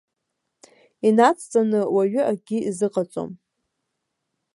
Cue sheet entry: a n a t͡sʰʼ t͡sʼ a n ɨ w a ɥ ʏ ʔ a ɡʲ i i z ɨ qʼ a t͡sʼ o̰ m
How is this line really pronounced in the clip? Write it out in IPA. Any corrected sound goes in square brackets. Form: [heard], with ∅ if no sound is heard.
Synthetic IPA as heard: [i] n a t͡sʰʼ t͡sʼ a n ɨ w a ɥ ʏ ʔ a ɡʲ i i z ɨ qʼ a t͡sʼ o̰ m